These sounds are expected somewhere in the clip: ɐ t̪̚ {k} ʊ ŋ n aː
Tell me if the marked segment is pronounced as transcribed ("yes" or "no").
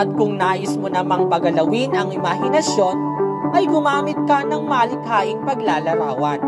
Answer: yes